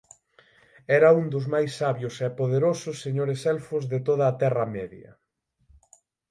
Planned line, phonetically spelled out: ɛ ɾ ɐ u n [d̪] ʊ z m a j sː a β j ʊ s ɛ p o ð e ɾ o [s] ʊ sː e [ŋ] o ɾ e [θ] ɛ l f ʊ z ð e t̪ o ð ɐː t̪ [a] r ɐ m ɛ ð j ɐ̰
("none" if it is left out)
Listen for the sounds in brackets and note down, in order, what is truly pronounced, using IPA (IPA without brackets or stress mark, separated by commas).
d̪, s, ɲ, s, ɛ